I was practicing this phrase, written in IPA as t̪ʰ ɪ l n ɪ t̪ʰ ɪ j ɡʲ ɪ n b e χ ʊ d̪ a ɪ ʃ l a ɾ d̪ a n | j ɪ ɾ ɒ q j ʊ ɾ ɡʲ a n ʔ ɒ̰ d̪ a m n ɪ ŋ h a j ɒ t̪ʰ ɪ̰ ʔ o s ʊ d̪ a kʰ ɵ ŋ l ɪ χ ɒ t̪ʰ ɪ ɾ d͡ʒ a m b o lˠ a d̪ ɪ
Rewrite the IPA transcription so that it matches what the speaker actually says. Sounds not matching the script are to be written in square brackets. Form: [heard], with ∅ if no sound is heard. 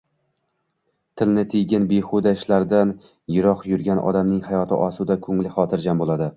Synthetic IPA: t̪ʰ ɪ l n ɪ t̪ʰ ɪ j ɡʲ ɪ n b e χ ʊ d̪ a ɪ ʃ l a ɾ d̪ a n | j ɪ ɾ ɒ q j ʊ ɾ ɡʲ a n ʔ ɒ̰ d̪ a m n ɪ ŋ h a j ɒ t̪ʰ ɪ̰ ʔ [ɒ] s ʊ d̪ a kʰ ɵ ŋ l ɪ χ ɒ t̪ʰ ɪ ɾ d͡ʒ a m b o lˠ a d̪ ɪ